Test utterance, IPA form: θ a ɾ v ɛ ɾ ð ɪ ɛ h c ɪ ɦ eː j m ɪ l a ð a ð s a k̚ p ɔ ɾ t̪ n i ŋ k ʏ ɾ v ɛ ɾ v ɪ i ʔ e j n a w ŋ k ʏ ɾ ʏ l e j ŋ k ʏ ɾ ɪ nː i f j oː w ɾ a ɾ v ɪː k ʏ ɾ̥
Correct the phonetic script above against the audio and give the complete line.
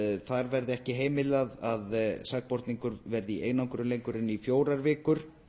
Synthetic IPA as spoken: θ a ɾ v ɛ ɾ ð ɪ ɛ h c ɪ ɦ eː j m ɪ l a ð a ð s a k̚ p ɔ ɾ t̪ n i ŋ k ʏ ɾ v ɛ ɾ ð ɪ i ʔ e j n a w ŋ k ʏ ɾ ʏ l e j ŋ k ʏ ɾ ɪ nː i f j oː w ɾ a ɾ v ɪː k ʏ ɾ̥